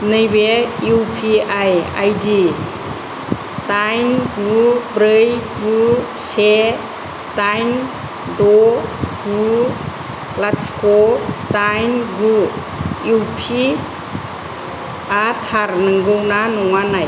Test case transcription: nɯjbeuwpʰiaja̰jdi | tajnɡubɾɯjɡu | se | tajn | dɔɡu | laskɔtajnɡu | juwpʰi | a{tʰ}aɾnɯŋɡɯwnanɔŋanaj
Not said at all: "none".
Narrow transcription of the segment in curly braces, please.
tʰ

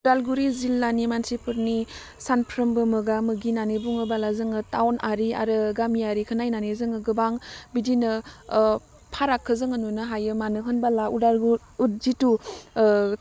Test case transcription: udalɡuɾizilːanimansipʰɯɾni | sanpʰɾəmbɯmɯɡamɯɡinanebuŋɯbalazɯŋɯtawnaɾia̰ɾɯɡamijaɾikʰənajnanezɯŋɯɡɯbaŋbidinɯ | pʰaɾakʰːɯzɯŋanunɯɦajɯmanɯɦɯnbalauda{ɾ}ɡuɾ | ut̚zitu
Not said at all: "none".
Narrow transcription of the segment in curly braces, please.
l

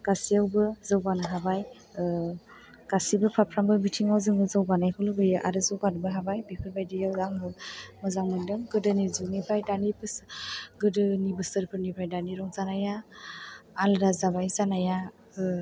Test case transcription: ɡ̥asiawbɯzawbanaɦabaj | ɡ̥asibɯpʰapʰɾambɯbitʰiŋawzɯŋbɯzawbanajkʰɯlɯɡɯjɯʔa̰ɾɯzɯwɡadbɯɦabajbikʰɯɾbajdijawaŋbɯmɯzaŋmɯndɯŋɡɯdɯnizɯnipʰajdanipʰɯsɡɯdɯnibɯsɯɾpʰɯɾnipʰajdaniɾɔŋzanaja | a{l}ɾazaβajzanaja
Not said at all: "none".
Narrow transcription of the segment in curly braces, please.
l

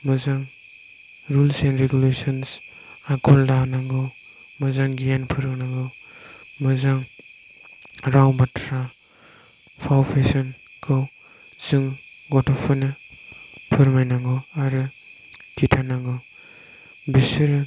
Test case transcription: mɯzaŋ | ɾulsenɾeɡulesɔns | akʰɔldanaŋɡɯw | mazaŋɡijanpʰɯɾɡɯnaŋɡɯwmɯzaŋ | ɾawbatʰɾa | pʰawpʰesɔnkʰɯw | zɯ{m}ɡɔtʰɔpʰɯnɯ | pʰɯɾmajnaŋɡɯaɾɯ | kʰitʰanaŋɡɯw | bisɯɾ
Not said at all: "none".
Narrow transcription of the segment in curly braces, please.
ŋ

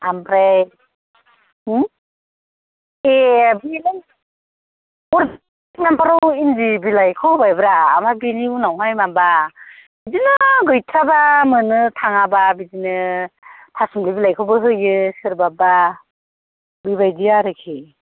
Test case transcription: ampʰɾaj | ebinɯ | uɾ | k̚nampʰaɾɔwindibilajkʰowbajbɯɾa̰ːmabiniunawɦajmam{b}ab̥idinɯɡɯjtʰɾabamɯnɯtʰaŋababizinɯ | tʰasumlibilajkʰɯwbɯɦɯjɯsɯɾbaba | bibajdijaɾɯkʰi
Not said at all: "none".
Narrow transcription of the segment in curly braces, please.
b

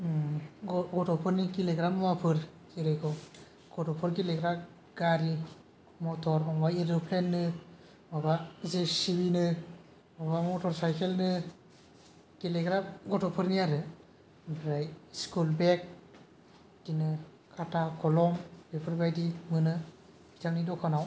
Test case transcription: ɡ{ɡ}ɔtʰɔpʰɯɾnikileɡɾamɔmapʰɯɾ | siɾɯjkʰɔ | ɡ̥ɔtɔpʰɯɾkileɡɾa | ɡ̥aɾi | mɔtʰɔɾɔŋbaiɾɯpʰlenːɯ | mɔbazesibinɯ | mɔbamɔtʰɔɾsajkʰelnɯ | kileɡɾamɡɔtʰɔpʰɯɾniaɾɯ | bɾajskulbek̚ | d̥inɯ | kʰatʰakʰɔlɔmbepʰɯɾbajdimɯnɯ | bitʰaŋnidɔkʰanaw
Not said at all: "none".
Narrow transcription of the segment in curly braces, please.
ɡ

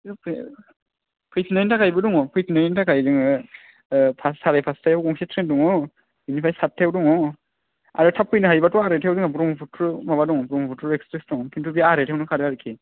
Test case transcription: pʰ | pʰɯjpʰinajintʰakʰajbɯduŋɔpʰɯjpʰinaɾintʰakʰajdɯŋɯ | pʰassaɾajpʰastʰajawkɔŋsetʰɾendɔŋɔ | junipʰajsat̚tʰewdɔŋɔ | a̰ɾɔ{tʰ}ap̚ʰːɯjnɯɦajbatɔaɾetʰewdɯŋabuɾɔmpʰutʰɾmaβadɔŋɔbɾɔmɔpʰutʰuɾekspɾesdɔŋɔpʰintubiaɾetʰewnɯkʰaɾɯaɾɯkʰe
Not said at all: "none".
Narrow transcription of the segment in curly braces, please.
tʰ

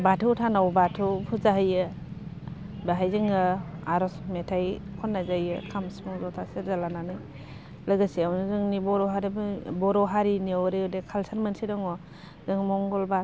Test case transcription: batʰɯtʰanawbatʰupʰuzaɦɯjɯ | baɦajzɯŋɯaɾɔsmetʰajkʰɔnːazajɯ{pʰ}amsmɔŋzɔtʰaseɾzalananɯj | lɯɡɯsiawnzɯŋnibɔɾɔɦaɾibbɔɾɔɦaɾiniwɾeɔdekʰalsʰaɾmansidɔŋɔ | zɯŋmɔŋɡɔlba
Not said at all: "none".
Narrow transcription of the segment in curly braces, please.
kʰ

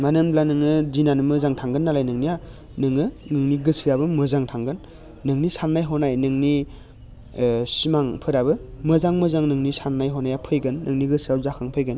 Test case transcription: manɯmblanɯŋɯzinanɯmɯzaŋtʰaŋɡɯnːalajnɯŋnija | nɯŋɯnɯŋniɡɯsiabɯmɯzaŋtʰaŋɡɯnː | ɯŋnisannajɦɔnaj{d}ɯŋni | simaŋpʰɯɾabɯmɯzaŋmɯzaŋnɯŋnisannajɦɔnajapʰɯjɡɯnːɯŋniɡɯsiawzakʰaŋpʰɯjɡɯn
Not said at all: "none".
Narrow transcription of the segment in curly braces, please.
n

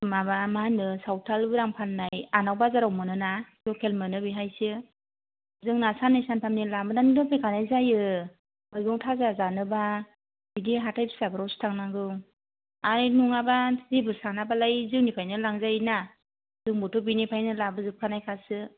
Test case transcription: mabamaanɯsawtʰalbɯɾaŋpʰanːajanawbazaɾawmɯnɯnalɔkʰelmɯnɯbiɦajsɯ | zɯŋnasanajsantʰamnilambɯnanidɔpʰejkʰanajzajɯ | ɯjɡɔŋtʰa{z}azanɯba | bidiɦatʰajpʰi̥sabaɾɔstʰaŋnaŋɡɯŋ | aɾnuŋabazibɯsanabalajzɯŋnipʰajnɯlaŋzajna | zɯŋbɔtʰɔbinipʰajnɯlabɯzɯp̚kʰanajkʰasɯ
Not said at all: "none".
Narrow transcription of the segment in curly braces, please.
z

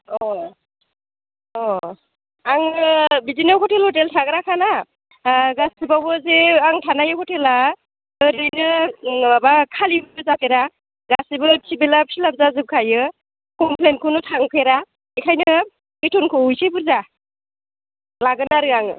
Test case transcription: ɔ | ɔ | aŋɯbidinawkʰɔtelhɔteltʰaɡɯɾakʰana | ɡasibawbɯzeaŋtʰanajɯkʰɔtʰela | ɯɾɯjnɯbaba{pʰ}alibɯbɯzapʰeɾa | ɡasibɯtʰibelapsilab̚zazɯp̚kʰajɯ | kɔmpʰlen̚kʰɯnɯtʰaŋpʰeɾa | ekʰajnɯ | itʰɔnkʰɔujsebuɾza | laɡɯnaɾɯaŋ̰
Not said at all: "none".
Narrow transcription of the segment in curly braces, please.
kʰ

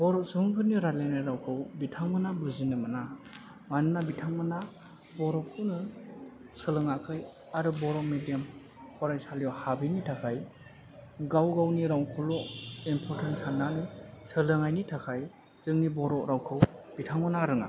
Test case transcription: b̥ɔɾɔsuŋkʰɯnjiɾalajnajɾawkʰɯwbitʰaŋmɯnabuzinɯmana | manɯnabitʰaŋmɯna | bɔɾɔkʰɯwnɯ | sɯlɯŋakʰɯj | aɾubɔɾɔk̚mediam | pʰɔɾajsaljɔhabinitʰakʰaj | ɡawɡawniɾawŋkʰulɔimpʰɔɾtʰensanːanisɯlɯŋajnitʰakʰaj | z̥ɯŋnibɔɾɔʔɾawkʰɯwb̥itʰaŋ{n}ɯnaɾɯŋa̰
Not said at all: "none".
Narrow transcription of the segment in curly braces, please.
m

